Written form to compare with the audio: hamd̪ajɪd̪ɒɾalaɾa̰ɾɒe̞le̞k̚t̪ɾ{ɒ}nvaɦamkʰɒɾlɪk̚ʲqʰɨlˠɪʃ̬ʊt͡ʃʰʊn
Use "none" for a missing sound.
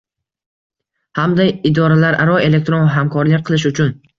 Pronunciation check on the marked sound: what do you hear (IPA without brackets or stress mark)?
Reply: o